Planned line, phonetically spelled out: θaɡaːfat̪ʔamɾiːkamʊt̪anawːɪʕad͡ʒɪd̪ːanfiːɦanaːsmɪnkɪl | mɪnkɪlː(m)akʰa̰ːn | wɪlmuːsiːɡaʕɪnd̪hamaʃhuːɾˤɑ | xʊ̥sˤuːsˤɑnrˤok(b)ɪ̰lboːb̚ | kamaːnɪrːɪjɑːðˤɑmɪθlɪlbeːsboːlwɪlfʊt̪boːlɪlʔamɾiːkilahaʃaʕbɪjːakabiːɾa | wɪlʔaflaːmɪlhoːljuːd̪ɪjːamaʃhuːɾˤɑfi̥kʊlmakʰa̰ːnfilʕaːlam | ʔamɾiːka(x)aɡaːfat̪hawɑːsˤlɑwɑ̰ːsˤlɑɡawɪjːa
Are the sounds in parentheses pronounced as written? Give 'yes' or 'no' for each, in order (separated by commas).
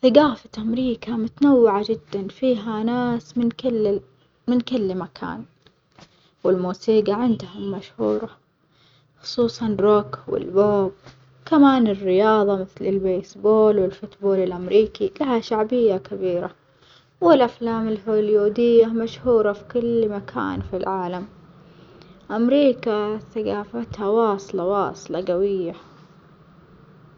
yes, no, no